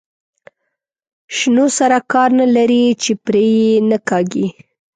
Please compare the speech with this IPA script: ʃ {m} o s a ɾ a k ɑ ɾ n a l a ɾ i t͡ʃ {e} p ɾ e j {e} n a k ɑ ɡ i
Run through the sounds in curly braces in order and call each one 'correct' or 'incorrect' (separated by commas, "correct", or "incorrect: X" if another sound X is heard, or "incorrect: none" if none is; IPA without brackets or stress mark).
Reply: incorrect: n, correct, correct